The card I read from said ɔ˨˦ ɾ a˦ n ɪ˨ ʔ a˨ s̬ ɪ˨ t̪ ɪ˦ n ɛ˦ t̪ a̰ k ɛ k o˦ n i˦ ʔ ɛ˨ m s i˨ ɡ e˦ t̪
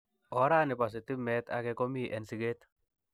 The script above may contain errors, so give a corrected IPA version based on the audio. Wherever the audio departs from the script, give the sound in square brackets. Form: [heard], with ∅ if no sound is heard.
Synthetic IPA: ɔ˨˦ ɾ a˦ n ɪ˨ [p] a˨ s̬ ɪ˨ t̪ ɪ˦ [m] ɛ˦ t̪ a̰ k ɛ k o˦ [m] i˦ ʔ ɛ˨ [n] s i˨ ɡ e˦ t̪